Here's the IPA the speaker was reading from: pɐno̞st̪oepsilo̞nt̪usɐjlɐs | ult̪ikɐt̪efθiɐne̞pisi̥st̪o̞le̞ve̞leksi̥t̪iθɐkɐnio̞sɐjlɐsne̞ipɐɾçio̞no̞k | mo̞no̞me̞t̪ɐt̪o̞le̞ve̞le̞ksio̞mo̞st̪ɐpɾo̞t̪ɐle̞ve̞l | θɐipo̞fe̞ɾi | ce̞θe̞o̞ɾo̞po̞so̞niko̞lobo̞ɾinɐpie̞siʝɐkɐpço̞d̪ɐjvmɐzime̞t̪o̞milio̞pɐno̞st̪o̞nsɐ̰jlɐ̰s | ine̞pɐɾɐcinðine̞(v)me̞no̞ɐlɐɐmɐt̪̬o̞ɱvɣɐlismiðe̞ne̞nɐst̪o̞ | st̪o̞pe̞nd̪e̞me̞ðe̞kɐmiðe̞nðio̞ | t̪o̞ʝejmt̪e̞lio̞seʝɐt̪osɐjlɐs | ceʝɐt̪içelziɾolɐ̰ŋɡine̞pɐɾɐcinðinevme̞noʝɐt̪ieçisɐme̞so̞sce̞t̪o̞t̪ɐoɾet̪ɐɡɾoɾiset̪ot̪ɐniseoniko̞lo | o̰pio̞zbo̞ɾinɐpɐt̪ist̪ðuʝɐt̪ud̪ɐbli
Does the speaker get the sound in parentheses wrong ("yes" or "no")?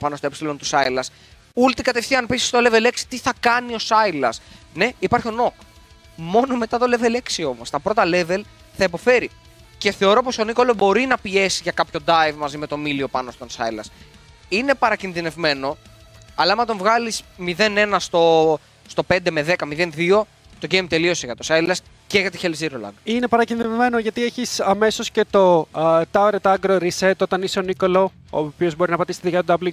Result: no